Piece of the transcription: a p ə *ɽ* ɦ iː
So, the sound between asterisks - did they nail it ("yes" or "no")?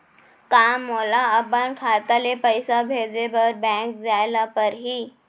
no